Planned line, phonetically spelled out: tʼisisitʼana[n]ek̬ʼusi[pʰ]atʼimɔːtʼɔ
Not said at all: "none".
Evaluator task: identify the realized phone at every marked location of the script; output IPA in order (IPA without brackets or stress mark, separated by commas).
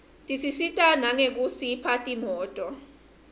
ŋ, pʰ